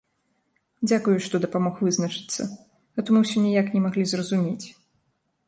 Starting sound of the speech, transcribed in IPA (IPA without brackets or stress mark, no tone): d͡zʲ